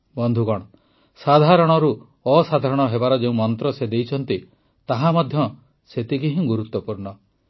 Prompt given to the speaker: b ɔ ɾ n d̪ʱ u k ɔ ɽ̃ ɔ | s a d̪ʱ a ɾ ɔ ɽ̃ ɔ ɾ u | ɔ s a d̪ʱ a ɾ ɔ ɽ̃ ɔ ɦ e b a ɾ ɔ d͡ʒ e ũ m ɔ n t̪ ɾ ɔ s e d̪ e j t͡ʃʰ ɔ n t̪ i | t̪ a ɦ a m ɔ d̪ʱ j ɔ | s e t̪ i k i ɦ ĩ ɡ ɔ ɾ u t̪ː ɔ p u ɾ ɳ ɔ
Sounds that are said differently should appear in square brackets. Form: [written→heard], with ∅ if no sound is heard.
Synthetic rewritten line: b ɔ [ɾ→∅] n d̪ʱ u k ɔ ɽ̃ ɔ | s a d̪ʱ a ɾ ɔ ɽ̃ ɔ ɾ u | ɔ s a d̪ʱ a ɾ ɔ ɽ̃ ɔ ɦ e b a ɾ ɔ d͡ʒ e ũ m ɔ n t̪ ɾ ɔ s e d̪ e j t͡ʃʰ ɔ n t̪ i | t̪ a ɦ a m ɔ d̪ʱ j ɔ | s e t̪ i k i ɦ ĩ ɡ [ɔ→u] ɾ u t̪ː ɔ p u ɾ ɳ ɔ